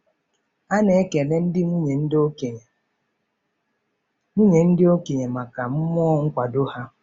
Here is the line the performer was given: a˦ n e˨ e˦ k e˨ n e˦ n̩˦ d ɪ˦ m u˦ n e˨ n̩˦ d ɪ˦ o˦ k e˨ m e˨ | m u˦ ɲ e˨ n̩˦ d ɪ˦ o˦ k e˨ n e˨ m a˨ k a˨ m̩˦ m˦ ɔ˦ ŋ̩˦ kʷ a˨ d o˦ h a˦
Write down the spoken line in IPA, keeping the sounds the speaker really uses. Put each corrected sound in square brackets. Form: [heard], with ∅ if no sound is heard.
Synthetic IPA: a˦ n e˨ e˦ k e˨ n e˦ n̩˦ d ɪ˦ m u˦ [ɲ] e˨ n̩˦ d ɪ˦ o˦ k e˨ [ɲ] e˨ | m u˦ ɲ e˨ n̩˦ d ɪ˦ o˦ k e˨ [ɲ] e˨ m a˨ k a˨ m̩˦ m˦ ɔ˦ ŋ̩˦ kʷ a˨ d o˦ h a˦